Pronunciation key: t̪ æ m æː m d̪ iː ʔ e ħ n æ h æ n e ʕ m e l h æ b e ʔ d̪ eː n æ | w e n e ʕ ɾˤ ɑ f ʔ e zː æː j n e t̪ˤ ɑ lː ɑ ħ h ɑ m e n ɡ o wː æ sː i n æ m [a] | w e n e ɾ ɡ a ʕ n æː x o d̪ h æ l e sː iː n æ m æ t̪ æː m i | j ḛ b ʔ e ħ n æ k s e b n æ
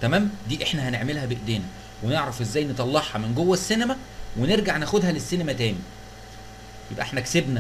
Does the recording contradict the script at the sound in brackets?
yes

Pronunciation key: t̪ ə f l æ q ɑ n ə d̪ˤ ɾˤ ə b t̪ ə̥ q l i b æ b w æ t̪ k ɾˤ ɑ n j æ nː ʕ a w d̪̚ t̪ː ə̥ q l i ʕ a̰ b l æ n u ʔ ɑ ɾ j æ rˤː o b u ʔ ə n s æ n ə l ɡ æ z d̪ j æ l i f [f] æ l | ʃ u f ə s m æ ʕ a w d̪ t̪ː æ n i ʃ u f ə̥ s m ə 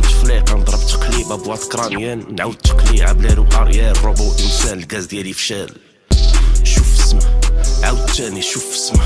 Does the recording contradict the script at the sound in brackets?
yes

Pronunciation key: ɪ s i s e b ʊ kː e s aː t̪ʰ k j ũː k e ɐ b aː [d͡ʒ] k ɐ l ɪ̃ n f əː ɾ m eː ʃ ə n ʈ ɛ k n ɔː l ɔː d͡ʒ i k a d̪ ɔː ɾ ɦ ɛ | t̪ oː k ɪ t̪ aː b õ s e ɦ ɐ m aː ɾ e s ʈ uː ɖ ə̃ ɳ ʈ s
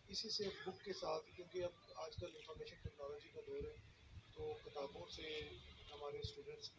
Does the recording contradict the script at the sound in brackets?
no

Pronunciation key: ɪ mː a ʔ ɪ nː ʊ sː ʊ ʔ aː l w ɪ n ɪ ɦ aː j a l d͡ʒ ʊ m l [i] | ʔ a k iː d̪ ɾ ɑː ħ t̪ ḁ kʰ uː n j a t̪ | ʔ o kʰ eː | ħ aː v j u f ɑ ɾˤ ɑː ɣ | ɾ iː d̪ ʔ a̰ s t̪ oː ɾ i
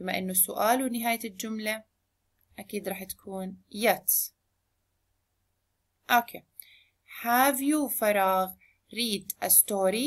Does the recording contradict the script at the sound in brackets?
yes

